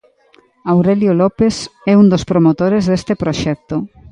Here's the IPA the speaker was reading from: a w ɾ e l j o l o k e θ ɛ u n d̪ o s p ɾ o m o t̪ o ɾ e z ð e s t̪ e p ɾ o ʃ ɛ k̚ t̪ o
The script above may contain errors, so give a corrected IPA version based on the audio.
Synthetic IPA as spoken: a w ɾ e l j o l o p e s ɛ u n d̪ o s p ɾ o m o t̪ o ɾ e z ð e s t̪ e p ɾ o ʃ ɛ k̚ t̪ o